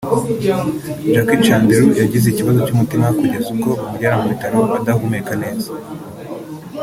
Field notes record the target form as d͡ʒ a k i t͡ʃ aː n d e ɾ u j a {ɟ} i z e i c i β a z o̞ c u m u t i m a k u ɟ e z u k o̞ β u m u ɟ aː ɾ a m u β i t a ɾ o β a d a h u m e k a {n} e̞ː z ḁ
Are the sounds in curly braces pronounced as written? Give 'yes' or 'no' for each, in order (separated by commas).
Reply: yes, yes